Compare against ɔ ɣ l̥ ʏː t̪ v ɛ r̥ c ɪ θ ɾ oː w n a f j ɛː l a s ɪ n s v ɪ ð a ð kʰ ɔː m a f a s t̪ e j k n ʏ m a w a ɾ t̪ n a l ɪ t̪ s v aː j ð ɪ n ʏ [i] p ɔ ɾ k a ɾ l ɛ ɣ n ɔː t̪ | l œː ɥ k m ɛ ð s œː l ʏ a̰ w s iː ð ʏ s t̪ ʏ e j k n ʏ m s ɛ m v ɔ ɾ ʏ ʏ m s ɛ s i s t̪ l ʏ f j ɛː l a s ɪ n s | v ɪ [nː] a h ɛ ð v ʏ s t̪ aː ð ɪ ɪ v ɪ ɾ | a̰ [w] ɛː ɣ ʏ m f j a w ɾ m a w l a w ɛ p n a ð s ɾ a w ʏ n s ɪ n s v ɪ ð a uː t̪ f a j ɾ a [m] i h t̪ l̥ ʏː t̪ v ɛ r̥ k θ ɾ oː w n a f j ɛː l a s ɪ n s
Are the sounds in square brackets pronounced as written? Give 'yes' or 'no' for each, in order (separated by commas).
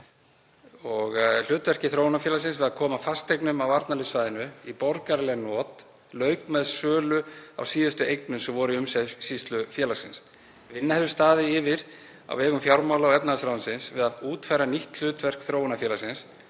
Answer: yes, yes, yes, no